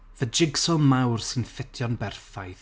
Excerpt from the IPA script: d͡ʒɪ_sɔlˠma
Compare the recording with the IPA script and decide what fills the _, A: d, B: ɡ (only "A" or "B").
B